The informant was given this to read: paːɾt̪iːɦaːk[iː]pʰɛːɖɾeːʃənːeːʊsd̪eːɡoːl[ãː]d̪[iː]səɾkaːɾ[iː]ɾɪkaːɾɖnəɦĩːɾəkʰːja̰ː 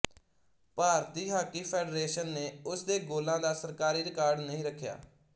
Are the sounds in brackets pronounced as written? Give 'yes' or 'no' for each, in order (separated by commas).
yes, yes, no, yes